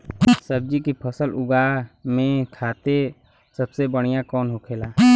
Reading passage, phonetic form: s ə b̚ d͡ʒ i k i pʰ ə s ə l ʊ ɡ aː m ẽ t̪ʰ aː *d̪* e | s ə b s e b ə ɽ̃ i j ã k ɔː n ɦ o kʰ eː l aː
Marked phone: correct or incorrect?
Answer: incorrect